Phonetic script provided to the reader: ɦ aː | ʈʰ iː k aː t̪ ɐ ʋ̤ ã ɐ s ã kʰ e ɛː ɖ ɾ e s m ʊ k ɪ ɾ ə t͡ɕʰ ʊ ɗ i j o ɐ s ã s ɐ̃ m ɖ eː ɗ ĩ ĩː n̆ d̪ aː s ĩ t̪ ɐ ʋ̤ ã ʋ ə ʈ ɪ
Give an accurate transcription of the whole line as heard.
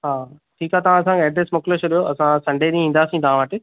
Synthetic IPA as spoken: ɦ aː | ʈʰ iː k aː t̪ ɐ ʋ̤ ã ɐ s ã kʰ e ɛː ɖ ɾ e s m ʊ k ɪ l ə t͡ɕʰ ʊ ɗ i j o ɐ s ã s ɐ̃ ɳ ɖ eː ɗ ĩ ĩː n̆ d̪ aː s ĩ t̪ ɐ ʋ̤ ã ʋ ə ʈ ɪ

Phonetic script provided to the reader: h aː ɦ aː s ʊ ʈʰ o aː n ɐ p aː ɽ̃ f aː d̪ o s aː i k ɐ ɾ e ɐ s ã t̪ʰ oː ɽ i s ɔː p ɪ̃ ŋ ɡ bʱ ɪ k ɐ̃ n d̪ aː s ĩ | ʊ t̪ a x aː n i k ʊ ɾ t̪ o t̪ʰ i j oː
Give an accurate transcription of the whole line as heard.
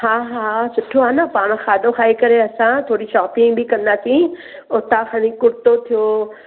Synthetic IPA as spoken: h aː ɦ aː s ʊ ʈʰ o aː n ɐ p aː ɽ̃ x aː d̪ o x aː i k ɐ ɾ e ɐ s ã t̪ʰ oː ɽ i ʃ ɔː p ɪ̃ ŋ ɡ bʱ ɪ k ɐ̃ n d̪ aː s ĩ | ʊ t̪ a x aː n i k ʊ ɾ t̪ o t̪ʰ i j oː

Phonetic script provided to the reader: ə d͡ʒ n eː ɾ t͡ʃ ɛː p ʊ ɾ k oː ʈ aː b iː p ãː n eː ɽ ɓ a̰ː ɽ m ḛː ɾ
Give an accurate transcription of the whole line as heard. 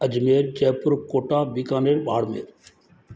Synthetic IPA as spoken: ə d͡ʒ m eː ɾ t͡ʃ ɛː p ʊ ɾ k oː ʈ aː b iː k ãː n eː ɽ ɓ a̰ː ɽ m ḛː ɾ

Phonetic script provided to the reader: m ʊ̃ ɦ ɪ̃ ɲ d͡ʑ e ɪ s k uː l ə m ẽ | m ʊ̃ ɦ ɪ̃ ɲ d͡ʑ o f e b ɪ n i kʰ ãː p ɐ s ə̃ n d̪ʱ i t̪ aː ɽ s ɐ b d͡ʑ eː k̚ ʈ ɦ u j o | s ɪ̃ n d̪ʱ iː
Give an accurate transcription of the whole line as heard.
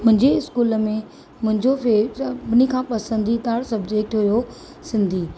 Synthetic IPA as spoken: m ʊ̃ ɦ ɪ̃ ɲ d͡ʑ e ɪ s k uː l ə m ẽ | m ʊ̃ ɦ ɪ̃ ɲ d͡ʑ o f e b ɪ n i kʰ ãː p ɐ s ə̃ n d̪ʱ i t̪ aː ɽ s ɐ b d͡ʑ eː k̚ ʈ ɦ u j o | s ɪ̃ n d̪ʱ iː

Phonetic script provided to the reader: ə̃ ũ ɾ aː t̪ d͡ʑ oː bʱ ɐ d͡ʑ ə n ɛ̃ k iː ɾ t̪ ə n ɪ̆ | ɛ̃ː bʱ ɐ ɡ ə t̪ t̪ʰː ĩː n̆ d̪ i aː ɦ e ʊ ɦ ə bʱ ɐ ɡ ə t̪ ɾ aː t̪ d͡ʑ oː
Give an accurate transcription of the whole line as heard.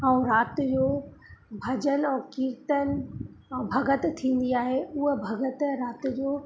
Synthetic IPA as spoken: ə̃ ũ ɾ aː t̪ d͡ʑ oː bʱ ɐ d͡ʑ ə n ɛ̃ k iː ɾ t̪ ə n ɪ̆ | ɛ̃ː bʱ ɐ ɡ ə t̪ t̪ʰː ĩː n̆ d̪ i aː ɦ e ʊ ɦ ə bʱ ɐ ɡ ə t̪ ɾ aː t̪ d͡ʑ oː

